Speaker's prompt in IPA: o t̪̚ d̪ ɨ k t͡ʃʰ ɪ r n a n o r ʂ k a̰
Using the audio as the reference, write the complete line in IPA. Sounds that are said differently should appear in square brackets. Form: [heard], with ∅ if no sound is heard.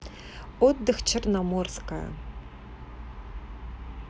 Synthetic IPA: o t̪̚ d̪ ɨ [x] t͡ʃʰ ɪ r n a [m] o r [s] k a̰

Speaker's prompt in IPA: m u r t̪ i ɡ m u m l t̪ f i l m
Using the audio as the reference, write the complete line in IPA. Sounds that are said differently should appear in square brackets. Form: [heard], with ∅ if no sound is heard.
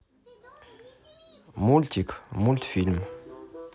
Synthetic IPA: m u [l] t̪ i [k] m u [∅] l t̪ f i l m

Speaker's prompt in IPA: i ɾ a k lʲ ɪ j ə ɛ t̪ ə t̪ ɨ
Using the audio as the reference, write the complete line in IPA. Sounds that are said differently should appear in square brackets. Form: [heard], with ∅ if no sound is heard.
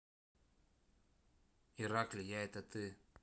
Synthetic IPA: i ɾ a k lʲ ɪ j [a] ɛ t̪ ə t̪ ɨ

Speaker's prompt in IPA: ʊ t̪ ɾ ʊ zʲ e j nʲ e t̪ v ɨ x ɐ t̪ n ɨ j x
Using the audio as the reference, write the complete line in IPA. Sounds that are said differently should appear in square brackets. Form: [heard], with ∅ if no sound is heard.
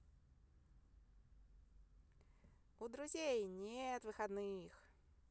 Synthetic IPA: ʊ [d̪] ɾ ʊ zʲ e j nʲ e t̪ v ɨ x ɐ [d̪] n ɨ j x

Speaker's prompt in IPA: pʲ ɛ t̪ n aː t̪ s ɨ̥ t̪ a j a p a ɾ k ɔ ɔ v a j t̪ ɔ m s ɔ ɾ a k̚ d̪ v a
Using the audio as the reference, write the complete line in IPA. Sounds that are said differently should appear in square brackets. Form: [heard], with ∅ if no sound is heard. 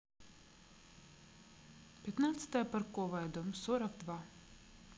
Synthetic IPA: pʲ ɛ t̪ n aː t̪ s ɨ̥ t̪ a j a p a ɾ k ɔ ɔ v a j [d̪] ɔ m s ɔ ɾ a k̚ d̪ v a

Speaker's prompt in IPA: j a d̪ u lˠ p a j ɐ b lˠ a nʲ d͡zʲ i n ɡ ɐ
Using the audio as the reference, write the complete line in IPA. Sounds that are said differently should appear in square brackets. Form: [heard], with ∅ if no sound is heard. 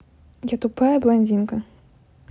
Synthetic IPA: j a [t̪] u [∅] p a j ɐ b lˠ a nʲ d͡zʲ i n [k] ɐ

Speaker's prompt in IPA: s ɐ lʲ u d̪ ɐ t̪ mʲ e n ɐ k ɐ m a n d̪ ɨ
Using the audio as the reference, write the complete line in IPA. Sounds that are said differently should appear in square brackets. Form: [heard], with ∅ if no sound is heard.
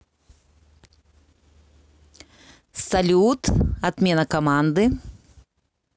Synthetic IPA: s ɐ lʲ u [t̪] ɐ t̪ mʲ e n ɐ k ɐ m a n d̪ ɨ

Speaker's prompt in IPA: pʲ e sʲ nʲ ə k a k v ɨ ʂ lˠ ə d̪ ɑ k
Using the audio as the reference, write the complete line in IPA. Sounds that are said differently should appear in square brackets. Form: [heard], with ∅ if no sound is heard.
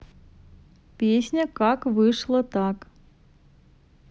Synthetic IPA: pʲ e sʲ nʲ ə k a k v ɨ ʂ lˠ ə [t̪] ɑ k

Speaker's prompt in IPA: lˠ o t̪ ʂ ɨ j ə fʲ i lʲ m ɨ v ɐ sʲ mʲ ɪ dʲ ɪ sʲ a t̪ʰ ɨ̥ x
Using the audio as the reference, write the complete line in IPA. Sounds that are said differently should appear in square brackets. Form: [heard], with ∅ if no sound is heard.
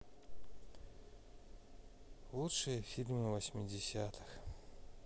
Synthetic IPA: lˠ [u] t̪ ʂ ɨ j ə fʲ i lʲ m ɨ v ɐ sʲ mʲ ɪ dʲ ɪ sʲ a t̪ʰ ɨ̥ x

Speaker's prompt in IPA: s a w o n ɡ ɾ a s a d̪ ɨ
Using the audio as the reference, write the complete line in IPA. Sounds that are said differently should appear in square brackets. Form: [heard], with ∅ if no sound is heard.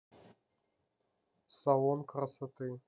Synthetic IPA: s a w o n [k] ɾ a s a [t̪] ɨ

